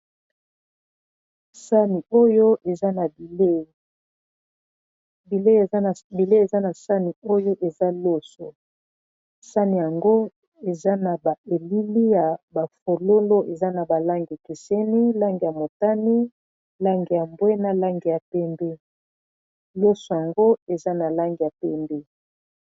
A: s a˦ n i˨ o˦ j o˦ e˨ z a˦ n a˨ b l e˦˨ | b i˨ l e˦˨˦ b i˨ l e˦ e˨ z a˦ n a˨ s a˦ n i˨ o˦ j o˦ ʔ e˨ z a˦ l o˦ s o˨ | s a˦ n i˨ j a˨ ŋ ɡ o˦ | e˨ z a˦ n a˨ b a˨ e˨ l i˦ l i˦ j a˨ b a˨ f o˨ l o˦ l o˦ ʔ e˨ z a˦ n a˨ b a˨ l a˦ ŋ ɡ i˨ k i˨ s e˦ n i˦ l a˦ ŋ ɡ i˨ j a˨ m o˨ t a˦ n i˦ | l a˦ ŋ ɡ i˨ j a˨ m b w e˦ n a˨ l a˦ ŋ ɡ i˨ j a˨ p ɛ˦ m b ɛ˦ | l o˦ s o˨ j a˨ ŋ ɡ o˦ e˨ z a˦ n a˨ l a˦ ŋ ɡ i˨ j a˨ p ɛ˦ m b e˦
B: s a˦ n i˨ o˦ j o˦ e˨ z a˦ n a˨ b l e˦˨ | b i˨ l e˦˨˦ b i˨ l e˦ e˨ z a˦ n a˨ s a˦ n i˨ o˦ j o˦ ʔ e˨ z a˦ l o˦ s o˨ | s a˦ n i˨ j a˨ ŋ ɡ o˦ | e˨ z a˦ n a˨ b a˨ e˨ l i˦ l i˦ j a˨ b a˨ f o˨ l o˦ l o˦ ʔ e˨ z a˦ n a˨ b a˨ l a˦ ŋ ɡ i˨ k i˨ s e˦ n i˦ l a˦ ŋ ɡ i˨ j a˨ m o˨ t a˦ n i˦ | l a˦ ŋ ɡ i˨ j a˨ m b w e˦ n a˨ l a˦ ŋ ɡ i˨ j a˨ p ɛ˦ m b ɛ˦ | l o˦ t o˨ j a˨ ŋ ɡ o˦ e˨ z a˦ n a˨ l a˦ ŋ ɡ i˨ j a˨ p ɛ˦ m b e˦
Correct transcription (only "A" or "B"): A